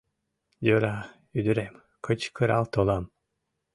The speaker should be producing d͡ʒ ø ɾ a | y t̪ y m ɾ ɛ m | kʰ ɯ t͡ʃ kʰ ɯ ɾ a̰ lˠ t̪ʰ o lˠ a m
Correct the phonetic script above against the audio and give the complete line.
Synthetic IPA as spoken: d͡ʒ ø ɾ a | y d̪ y ɾ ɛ m | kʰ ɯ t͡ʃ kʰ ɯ ɾ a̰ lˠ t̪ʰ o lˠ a m